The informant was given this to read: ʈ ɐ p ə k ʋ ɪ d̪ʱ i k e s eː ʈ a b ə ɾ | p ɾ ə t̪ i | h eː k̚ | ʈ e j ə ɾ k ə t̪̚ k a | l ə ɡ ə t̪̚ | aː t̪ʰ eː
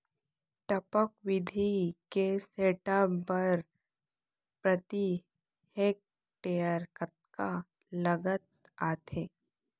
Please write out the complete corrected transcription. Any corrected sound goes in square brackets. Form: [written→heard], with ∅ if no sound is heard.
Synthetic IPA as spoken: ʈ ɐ p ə k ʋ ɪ d̪ʱ i k e s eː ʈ a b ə ɾ | p ɾ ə t̪ i | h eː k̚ | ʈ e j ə ɾ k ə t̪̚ k a | l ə ɡ ə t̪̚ | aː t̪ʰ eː